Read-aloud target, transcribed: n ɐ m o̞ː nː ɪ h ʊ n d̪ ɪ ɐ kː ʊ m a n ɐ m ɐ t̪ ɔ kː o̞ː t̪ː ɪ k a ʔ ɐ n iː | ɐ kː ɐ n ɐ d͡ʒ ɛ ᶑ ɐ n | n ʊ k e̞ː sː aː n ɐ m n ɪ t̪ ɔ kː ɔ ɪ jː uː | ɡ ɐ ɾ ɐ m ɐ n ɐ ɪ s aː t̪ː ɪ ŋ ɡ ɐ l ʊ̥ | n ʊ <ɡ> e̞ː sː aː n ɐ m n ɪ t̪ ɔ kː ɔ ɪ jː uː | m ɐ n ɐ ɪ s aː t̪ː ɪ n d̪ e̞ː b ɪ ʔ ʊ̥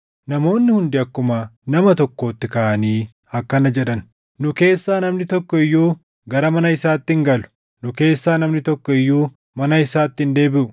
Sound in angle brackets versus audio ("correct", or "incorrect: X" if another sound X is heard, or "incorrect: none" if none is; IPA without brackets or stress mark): incorrect: k